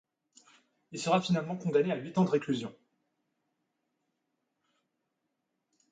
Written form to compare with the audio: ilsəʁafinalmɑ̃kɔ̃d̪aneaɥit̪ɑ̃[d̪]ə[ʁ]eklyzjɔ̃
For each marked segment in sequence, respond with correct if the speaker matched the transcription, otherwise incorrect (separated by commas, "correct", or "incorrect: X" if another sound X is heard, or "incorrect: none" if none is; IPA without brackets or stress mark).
correct, correct